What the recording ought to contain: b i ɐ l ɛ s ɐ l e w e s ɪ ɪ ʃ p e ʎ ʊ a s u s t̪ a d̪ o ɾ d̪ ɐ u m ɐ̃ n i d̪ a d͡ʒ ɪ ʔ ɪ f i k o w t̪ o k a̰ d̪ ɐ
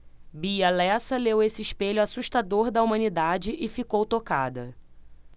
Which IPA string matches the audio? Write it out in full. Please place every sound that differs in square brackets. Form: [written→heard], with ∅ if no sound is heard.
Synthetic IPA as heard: b i ɐ l ɛ s ɐ l e w e s ɪ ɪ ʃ p e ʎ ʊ a s u [s→ʃ] t̪ a d̪ o ɾ d̪ ɐ u m ɐ̃ n i d̪ a d͡ʒ ɪ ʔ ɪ f i k o w t̪ o k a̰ d̪ ɐ